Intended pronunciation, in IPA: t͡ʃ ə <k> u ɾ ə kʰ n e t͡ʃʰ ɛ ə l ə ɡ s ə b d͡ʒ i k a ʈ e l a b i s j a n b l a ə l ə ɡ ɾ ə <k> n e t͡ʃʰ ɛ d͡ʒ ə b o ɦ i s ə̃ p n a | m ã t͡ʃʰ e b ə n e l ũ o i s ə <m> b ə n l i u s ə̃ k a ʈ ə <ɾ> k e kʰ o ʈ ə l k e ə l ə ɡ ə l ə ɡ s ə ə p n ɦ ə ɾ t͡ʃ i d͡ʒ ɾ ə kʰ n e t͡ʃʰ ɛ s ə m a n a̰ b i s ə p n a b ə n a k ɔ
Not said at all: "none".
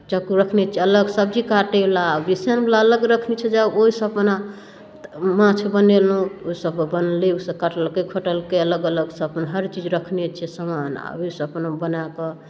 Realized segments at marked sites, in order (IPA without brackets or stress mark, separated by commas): k, kʰ, b, l